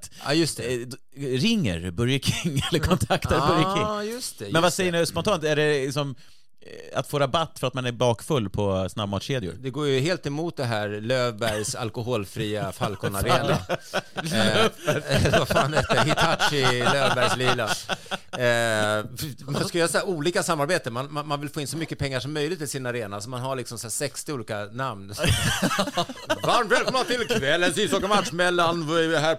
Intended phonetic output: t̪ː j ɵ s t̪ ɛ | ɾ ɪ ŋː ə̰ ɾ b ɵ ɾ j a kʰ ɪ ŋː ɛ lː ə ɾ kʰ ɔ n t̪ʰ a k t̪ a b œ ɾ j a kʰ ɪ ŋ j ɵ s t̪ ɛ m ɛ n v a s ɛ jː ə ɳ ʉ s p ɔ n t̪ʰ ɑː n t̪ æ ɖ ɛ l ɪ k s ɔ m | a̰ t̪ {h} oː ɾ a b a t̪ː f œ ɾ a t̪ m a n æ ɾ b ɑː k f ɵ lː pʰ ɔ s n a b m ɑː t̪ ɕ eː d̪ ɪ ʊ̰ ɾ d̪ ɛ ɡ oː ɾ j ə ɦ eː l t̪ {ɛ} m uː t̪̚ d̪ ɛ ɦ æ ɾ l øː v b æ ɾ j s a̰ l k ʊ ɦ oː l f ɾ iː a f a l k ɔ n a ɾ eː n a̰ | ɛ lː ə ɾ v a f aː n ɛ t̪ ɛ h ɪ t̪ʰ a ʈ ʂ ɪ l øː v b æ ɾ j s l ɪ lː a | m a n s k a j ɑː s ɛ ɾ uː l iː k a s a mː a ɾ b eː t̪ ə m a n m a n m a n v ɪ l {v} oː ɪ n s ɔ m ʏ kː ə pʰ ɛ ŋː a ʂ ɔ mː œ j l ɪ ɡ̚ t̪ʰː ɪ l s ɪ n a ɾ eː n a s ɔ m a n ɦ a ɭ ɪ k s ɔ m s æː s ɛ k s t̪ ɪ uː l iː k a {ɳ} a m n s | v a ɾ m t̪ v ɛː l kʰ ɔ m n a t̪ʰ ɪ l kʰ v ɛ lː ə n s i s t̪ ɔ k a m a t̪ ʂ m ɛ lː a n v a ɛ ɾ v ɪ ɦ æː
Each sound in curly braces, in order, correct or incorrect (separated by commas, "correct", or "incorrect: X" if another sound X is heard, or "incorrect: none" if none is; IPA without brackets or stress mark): incorrect: f, correct, incorrect: f, incorrect: n